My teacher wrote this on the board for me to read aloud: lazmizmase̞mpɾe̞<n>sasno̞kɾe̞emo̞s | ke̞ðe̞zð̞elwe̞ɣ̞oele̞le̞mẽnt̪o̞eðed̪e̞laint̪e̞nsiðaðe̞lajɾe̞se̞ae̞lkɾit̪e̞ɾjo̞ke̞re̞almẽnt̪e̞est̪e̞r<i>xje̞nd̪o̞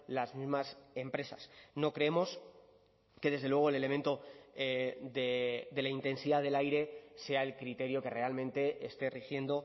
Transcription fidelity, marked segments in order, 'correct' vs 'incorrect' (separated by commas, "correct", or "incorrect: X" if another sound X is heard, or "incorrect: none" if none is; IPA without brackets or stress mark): incorrect: none, correct